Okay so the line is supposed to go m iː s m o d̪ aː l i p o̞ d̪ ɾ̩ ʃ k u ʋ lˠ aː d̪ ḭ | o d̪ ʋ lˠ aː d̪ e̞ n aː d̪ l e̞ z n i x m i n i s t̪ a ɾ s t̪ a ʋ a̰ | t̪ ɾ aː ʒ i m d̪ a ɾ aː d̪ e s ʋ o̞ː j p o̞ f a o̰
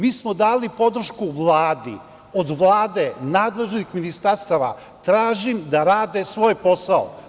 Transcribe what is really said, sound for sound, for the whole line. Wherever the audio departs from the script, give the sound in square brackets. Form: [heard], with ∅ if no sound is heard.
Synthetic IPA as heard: m iː s m o d̪ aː l i p o̞ d̪ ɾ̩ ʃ k u ʋ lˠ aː d̪ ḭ | o d̪ ʋ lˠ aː d̪ e̞ n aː d̪ l e̞ [ʒ] n i x m i n i s t̪ a ɾ s t̪ a ʋ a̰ | t̪ ɾ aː ʒ i m d̪ a ɾ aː d̪ e s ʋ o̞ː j p o̞ [s] a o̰